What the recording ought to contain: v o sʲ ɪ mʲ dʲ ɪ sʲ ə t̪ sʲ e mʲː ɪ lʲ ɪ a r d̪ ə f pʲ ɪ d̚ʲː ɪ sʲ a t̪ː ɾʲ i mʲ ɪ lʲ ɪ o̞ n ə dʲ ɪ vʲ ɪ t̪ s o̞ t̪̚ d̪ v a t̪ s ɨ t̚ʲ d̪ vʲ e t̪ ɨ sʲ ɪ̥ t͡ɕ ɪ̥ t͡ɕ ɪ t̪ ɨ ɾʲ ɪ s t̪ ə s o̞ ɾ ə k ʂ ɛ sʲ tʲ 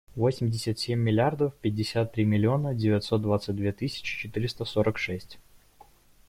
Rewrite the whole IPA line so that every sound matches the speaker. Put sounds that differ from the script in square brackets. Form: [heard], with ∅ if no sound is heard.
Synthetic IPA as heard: v o sʲ ɪ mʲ dʲ ɪ sʲ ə t̪ sʲ e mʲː ɪ lʲ ɪ a r d̪ ə f pʲ ɪ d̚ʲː ɪ sʲ a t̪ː ɾʲ i mʲ ɪ lʲ ɪ o̞ n ə dʲ ɪ vʲ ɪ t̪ s o̞ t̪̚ d̪ v a t̪ s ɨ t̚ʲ d̪ vʲ e t̪ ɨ sʲ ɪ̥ t͡ɕ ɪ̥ t͡ɕ ɪ t̪ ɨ ɾʲ ɪ s t̪ ə s o̞ ɾ ə k ʂ ɛ sʲ tʲ